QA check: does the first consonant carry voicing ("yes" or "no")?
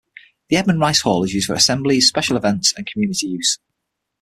yes